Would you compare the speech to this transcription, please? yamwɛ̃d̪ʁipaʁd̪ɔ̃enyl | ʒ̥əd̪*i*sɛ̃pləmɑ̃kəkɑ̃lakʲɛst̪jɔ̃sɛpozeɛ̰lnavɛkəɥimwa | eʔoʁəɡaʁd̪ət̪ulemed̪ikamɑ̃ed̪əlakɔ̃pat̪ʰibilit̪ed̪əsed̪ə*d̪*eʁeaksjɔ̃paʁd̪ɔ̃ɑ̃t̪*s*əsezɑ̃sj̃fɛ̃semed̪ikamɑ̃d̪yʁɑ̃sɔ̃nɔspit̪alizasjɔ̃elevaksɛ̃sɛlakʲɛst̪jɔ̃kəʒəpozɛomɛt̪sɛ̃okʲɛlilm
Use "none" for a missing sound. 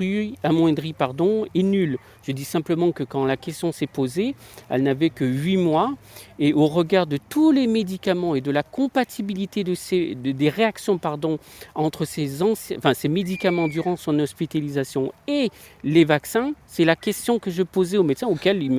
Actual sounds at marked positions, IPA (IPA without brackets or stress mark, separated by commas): i, d̪, χ